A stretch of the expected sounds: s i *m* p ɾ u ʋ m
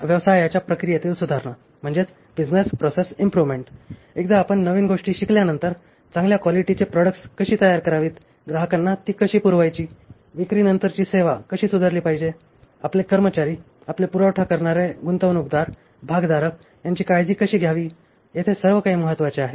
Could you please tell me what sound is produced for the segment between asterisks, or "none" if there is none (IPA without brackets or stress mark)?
m